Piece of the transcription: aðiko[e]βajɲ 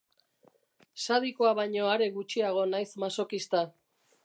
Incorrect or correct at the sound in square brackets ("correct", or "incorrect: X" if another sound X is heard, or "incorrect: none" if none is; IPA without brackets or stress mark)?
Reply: incorrect: a